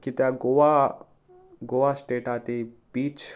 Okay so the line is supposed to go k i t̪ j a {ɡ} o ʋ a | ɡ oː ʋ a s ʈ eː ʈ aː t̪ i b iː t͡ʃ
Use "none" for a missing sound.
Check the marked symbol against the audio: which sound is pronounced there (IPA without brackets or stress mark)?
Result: ɡ